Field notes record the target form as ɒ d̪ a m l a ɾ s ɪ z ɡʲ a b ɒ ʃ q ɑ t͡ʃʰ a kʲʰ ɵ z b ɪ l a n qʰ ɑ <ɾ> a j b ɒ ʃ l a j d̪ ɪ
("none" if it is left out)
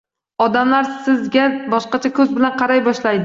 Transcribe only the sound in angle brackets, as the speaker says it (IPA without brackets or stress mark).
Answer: ɾ